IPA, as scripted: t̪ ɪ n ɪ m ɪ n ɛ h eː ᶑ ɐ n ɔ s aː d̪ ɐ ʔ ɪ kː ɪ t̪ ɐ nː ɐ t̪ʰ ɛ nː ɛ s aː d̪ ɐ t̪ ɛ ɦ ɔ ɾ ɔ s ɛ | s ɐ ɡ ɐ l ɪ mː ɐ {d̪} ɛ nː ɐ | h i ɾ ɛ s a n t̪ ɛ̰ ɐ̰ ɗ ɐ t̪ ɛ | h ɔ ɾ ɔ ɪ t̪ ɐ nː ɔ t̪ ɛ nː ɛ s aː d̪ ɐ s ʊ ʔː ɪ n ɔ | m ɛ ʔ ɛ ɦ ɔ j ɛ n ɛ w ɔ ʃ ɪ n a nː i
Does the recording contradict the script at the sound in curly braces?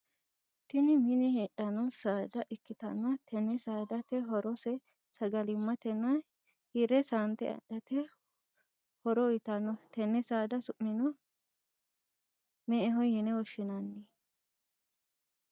yes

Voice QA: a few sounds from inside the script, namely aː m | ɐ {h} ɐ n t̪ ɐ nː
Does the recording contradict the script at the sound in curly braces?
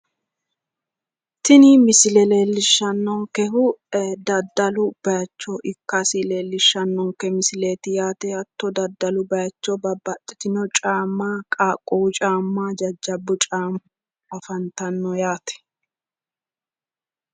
yes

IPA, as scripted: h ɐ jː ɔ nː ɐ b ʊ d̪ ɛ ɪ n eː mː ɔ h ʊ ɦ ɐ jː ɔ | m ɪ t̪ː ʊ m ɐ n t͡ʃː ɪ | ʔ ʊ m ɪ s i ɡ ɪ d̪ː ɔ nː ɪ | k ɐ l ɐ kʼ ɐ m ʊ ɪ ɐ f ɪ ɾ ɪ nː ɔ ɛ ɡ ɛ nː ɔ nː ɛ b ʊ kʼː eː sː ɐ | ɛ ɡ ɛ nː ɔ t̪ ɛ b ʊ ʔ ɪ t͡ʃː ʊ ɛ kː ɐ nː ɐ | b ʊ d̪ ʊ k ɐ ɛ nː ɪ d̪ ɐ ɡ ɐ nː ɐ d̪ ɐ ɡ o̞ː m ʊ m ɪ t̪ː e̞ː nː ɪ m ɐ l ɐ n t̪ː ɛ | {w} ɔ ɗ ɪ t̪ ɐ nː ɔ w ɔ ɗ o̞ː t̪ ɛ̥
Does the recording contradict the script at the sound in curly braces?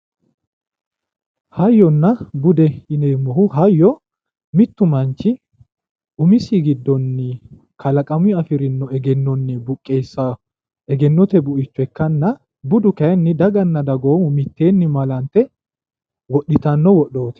no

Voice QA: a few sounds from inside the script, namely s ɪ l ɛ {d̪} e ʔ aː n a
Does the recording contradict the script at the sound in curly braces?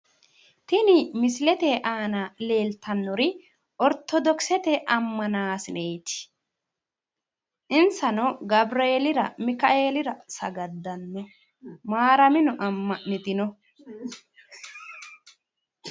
yes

